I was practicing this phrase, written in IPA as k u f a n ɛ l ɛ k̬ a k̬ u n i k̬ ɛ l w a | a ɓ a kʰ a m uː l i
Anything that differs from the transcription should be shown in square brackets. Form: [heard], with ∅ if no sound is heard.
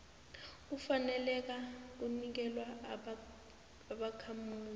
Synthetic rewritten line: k u f a n ɛ l ɛ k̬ a k̬ u n i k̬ ɛ l w a | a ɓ a kʰ a m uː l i